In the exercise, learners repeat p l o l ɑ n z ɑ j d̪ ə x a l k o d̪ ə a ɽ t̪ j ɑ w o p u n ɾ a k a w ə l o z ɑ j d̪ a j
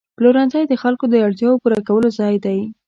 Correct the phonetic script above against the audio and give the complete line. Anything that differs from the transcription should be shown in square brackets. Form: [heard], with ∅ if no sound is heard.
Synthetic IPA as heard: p l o [ɾ] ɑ n z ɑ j d̪ ə x a l k o d̪ ə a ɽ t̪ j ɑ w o p u [∅] ɾ a k a w ə l o z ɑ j d̪ a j